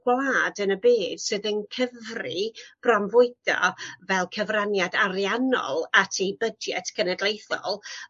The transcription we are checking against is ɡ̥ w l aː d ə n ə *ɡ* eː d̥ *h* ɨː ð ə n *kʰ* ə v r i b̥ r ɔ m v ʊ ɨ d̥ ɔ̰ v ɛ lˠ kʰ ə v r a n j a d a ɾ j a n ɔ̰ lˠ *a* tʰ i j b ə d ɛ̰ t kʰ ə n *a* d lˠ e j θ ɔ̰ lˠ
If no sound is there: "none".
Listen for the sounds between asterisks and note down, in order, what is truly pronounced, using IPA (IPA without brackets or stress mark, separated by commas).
b, s, kʰ, a, ɛ